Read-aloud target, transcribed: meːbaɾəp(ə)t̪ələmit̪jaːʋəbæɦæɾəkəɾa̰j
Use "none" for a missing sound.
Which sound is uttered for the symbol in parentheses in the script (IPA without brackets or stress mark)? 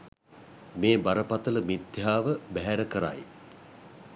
a